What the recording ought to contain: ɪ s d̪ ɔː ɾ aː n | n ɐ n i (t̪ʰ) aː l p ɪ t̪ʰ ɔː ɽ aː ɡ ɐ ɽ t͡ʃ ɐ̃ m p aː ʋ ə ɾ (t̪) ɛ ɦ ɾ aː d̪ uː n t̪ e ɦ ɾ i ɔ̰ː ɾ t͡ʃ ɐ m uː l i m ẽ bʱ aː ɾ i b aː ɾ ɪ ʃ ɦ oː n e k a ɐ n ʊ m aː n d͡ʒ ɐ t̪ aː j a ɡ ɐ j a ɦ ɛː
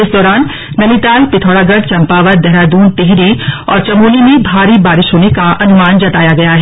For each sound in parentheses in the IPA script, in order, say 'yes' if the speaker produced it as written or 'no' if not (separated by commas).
no, no